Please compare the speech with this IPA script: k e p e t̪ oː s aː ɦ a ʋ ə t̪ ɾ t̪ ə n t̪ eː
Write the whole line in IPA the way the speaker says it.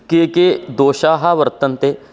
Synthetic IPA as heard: k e k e d̪ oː ʃ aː ɦ a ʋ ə ɾ t̪ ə n t̪ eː